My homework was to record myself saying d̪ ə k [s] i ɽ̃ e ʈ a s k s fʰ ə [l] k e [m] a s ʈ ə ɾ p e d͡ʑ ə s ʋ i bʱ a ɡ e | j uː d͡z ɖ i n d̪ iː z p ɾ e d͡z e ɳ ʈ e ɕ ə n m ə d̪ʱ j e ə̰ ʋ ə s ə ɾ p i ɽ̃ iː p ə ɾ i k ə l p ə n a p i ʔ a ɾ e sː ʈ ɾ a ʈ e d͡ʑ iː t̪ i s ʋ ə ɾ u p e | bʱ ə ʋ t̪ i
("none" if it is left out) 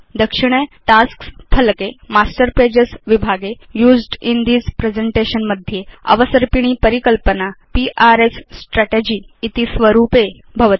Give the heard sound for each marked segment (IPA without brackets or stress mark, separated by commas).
ʂ, l, m